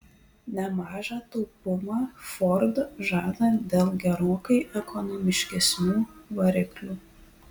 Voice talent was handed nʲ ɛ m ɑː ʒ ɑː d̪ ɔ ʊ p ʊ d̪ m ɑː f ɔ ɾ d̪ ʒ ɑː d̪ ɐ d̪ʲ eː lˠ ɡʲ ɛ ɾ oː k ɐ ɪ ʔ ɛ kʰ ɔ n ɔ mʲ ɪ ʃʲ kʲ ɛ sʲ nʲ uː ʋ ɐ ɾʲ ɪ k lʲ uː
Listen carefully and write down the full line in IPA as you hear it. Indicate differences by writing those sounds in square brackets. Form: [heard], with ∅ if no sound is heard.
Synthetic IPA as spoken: nʲ ɛ m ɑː ʒ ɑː [t̪] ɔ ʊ p ʊ [∅] m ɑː f ɔ ɾ d̪ ʒ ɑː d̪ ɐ d̪ʲ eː lˠ ɡʲ ɛ ɾ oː k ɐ ɪ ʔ ɛ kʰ ɔ n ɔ mʲ ɪ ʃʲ kʲ ɛ sʲ nʲ uː ʋ ɐ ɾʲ ɪ k lʲ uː

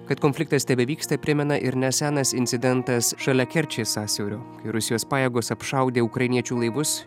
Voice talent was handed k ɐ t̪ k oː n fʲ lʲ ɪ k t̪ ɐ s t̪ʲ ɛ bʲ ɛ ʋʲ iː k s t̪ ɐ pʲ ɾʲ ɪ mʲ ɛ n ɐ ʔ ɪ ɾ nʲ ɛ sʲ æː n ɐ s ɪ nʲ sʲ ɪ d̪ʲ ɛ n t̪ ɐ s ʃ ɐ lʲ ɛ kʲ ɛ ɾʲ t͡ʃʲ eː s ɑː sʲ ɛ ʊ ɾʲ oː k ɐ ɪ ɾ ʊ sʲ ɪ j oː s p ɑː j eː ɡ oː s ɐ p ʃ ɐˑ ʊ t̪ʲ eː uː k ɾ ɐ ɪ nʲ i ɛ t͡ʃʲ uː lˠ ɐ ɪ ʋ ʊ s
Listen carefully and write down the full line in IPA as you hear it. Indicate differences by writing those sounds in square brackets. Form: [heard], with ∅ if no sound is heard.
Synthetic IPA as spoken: k ɐ t̪ k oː n fʲ lʲ ɪ k t̪ ɐ s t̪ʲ ɛ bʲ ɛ ʋʲ iː k s t̪ ɐ pʲ ɾʲ ɪ mʲ ɛ n ɐ ʔ ɪ ɾ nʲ ɛ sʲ æː n ɐ s ɪ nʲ sʲ ɪ d̪ʲ ɛ n t̪ ɐ s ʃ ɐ lʲ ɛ kʲ ɛ ɾʲ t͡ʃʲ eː s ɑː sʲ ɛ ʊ ɾʲ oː k ɐ ɪ ɾ ʊ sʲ ɪ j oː s p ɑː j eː ɡ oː s ɐ p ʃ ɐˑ ʊ [d̪ʲ] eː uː k ɾ ɐ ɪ nʲ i ɛ t͡ʃʲ uː lˠ ɐ ɪ ʋ ʊ s

